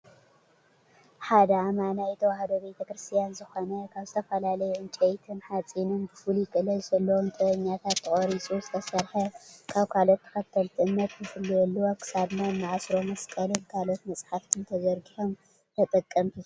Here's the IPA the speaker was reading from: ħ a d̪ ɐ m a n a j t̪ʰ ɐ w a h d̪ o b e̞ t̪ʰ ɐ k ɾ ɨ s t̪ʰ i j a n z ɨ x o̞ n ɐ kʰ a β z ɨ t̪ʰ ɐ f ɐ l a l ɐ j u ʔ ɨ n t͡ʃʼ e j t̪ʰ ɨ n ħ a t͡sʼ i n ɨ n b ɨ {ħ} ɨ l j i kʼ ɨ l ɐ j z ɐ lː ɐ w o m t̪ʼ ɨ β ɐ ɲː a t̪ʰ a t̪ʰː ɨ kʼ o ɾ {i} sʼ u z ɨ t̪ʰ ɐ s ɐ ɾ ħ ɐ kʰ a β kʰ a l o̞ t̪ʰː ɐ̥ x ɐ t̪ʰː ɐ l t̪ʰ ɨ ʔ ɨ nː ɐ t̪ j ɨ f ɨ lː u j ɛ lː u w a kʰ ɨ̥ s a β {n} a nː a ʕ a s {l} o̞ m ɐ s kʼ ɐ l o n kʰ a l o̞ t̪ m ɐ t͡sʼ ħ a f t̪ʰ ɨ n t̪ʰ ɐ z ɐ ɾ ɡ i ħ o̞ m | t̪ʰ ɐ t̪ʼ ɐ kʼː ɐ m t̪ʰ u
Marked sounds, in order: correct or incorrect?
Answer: incorrect, correct, correct, incorrect

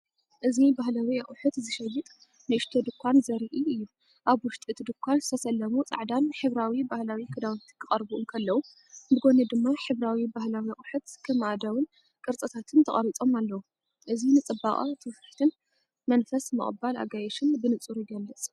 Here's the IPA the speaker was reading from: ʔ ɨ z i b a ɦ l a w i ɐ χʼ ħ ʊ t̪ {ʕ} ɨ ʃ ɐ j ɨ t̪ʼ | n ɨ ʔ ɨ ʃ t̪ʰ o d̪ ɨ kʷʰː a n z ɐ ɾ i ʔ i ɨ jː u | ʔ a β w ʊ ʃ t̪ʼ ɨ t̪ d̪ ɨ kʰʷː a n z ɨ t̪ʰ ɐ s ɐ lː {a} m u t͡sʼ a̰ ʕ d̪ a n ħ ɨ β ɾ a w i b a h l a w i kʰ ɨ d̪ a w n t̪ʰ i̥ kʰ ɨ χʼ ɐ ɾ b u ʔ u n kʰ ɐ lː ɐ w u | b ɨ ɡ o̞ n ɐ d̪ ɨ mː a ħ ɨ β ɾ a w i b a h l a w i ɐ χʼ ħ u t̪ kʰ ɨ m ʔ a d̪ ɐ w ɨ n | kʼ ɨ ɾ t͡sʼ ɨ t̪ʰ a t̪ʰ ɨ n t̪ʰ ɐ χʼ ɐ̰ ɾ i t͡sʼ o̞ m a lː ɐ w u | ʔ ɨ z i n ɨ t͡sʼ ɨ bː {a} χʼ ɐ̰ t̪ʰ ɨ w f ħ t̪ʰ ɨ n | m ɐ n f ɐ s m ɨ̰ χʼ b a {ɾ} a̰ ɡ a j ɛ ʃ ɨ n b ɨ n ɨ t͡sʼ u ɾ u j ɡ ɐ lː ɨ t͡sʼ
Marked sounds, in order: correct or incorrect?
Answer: incorrect, incorrect, correct, incorrect

